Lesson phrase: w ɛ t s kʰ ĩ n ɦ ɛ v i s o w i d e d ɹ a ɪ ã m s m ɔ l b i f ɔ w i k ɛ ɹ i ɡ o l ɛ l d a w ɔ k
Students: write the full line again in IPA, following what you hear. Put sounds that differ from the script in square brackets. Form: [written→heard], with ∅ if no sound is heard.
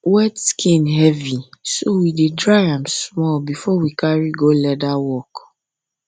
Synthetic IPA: w ɛ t s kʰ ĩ n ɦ ɛ v i s o w i d e d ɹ a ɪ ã m s m ɔ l b i f ɔ w i k [ɛ→a] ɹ i ɡ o l ɛ [l→∅] d a w ɔ k